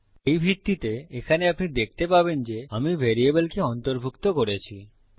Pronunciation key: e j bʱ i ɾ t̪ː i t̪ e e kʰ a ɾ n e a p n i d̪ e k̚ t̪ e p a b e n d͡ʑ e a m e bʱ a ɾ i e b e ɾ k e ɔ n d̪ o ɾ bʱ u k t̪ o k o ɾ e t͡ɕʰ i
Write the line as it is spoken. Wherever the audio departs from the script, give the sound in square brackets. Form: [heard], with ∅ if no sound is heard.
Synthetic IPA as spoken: e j bʱ i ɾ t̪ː i t̪ e e kʰ a [∅] n e a p n i d̪ e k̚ t̪ e p a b e n d͡ʑ e a m [i] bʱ [e] ɾ i e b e [l] k e ɔ n [t̪] o ɾ bʱ u k t̪ o k o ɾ e t͡ɕʰ i